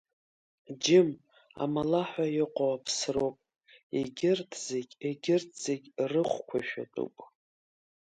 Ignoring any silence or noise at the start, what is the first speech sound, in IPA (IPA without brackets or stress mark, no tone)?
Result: d͡ʒ